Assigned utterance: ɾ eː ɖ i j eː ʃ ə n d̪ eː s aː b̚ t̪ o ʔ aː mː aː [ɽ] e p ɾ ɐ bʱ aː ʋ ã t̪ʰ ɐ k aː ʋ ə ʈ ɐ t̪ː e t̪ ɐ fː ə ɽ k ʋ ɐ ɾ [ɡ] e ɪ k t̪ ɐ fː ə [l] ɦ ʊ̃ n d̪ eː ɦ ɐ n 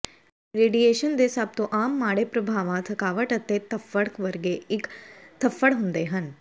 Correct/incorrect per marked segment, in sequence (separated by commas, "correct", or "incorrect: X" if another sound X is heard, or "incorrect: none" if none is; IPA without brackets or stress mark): correct, correct, incorrect: ɽ